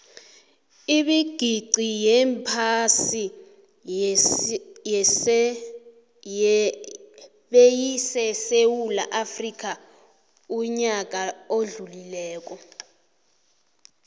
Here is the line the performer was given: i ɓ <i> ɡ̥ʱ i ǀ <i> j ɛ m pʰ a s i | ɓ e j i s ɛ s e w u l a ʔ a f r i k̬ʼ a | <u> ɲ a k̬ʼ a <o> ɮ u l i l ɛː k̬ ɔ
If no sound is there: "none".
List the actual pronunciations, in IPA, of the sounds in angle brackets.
i, i, u, o

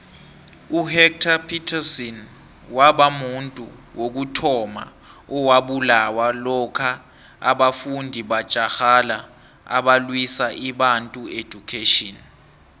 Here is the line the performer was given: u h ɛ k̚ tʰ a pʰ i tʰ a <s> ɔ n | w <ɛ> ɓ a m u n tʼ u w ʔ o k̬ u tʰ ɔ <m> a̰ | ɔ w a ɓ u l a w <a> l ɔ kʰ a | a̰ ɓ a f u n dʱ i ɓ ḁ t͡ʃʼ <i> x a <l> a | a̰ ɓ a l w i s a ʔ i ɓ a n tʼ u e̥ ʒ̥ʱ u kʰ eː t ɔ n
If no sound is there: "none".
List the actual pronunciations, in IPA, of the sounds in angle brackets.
s, a, m, a, a, l

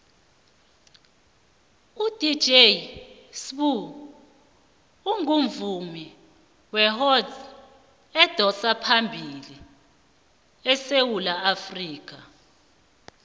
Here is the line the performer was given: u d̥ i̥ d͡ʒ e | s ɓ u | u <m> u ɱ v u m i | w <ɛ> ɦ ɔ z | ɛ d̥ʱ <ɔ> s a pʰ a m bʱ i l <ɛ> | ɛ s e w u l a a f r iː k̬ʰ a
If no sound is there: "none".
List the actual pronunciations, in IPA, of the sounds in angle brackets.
ŋ, ɛ, ɔ, i

